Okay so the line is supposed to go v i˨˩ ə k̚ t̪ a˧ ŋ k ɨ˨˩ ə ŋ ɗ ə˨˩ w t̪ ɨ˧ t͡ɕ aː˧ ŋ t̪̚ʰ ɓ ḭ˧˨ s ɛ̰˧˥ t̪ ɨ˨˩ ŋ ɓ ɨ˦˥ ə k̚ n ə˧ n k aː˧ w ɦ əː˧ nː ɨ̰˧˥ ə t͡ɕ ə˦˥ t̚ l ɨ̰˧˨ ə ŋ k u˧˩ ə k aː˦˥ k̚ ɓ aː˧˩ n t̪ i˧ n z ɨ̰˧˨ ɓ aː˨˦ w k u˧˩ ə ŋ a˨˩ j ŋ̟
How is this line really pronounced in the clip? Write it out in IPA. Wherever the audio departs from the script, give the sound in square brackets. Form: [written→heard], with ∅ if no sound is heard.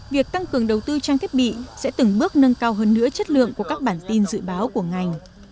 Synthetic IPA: v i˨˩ ə k̚ t̪ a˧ ŋ k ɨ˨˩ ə ŋ ɗ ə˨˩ w t̪ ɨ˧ t͡ɕ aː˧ ŋ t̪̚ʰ ɓ ḭ˧˨ s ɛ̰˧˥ t̪ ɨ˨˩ ŋ ɓ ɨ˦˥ ə k̚ n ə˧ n k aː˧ w ɦ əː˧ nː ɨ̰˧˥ ə t͡ɕ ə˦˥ t̚ l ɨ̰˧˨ ə ŋ k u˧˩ ə k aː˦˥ k̚ ɓ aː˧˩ n t̪ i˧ n z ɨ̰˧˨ ɓ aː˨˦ w k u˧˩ ə ŋ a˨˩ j ŋ̟